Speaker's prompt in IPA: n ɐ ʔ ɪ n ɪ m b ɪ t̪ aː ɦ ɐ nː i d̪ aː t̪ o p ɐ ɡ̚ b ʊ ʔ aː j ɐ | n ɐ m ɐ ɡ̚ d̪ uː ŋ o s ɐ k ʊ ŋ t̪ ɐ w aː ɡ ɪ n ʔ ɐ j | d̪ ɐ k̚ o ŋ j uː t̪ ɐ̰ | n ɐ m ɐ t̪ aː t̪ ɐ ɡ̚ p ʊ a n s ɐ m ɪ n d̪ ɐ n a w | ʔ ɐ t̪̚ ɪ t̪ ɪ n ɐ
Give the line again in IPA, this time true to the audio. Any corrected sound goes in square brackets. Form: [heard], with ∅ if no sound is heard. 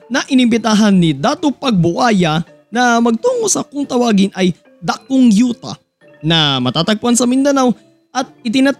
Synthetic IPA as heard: n ɐ ʔ ɪ n ɪ m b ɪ t̪ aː ɦ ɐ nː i d̪ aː t̪ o p ɐ ɡ̚ b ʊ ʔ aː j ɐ | n ɐ m ɐ ɡ̚ [t̪] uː ŋ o s ɐ k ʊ ŋ t̪ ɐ w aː ɡ ɪ n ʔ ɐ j | d̪ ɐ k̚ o ŋ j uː t̪ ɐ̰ | n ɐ m ɐ t̪ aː t̪ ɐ ɡ̚ p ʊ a n s ɐ m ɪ n d̪ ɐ n a w | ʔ ɐ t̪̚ ɪ t̪ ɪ n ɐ